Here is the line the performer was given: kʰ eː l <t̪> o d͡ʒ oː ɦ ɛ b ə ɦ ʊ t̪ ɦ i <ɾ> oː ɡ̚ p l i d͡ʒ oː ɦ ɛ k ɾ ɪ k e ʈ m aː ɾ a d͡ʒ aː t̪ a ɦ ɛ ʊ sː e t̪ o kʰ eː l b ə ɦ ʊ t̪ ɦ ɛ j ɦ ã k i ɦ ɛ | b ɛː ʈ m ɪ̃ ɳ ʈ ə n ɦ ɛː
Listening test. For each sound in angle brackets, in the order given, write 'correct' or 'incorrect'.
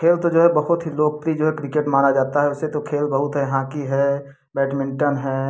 correct, incorrect

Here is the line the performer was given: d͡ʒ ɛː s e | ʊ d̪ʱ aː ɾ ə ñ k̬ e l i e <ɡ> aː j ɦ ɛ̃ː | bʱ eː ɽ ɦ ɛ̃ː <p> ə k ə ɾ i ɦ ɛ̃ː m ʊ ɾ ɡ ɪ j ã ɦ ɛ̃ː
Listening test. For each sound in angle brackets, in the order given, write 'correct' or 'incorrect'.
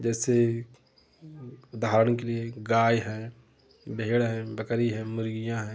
correct, incorrect

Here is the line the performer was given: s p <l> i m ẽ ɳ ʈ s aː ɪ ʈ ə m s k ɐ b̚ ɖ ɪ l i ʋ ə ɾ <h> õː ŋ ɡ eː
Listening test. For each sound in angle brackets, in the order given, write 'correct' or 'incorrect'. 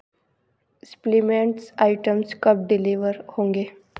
correct, correct

